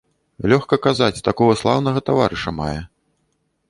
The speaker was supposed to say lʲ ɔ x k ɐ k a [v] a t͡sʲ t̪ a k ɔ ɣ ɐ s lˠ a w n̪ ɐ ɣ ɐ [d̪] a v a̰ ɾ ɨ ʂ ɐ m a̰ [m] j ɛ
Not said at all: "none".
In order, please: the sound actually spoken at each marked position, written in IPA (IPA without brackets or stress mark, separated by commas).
z, t̪, none